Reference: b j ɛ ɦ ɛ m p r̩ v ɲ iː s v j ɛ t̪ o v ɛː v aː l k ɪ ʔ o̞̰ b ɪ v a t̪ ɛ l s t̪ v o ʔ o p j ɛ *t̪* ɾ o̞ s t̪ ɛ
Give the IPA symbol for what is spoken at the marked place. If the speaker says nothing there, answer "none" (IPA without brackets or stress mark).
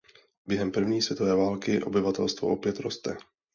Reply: t̪